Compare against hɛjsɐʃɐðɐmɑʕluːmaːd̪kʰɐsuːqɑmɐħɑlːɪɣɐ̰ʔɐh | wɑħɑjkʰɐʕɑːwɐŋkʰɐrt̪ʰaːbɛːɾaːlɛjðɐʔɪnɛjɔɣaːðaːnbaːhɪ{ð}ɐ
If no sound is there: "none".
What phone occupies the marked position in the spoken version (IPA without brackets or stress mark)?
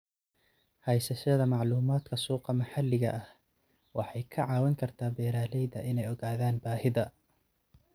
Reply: ð